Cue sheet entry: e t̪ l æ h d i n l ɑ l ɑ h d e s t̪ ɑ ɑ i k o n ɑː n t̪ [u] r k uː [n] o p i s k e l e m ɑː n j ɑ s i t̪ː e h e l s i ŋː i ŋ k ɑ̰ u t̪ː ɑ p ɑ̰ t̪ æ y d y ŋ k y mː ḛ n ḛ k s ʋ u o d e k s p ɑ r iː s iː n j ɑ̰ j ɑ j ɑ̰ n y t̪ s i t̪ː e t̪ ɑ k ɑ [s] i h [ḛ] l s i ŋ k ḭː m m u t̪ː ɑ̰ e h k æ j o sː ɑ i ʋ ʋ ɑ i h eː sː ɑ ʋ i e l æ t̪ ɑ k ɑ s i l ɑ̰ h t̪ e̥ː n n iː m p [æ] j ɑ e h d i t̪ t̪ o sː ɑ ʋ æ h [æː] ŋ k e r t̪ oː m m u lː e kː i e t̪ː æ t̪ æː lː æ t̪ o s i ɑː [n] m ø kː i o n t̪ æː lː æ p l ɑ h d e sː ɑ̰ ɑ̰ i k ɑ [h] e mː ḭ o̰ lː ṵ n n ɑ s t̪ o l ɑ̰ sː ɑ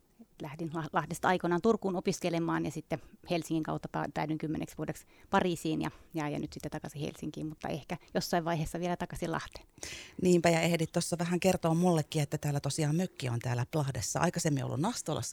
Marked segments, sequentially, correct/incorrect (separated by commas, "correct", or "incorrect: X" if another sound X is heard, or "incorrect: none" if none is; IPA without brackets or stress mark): correct, correct, correct, correct, correct, incorrect: æ, incorrect: m, incorrect: s